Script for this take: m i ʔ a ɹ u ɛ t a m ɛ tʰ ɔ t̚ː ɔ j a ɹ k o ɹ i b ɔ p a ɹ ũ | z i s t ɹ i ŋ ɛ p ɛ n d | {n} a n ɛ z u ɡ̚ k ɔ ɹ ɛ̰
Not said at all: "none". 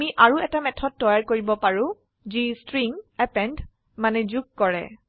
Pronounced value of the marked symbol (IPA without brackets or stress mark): m